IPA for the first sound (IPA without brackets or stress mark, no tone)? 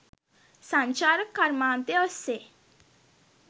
s